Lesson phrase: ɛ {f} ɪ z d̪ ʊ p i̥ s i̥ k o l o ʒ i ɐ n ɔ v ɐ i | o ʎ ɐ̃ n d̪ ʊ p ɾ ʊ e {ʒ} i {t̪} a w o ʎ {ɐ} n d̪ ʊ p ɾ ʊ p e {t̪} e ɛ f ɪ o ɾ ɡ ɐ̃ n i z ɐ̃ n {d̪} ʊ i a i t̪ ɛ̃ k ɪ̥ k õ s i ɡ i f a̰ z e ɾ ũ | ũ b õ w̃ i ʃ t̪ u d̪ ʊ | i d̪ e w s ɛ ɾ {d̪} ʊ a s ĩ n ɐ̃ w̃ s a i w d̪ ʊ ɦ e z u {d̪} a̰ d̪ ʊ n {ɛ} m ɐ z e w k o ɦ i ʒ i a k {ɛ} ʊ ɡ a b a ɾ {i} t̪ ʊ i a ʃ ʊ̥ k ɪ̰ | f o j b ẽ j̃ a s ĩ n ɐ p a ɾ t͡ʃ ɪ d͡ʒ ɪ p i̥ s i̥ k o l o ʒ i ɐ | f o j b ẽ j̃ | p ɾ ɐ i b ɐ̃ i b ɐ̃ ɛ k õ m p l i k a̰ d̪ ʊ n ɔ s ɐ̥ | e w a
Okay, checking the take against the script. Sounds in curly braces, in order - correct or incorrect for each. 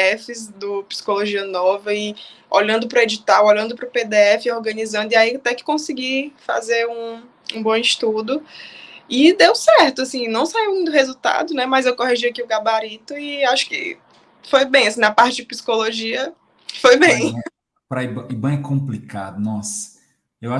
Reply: correct, incorrect: d͡ʒ, correct, incorrect: ɐ̃, incorrect: d̪, correct, incorrect: t̪, incorrect: t̪, correct, incorrect: i, correct

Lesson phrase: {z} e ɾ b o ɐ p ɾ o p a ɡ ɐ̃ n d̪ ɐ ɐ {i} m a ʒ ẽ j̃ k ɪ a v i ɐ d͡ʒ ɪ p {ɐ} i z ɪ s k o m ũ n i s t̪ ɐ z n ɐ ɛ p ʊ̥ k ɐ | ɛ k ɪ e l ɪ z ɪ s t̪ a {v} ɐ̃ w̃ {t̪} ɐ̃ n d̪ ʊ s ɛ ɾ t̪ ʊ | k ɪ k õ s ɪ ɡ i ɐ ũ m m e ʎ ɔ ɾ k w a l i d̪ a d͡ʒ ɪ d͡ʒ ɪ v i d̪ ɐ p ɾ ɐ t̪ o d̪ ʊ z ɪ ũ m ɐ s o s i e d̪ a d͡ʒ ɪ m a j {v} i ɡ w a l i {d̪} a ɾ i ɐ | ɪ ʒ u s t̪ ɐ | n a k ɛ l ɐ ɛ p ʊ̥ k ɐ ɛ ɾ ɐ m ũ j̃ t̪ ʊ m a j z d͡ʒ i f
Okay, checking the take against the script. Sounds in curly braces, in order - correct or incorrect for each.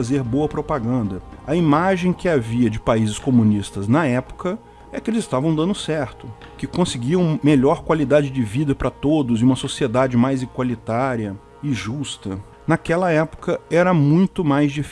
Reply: correct, correct, incorrect: a, correct, incorrect: d̪, incorrect: z, incorrect: t̪

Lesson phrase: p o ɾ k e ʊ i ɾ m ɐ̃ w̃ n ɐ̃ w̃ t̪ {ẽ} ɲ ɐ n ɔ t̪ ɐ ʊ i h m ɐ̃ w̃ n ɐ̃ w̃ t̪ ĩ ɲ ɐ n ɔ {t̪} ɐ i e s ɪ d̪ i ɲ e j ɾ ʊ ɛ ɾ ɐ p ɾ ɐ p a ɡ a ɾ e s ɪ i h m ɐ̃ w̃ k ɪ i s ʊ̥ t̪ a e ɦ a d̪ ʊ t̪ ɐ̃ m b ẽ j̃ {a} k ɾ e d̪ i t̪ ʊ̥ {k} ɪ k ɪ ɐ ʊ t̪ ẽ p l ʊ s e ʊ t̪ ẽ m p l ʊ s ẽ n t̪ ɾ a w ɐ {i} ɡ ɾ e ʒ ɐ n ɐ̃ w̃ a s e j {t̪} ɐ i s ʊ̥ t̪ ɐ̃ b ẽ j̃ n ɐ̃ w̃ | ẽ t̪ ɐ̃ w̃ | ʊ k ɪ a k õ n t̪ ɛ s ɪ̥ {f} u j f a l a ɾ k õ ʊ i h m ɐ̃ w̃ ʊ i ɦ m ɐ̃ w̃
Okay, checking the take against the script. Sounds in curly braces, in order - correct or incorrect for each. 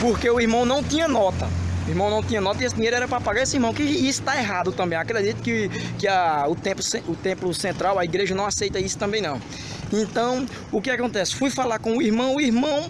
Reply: incorrect: ĩ, correct, correct, correct, correct, correct, correct

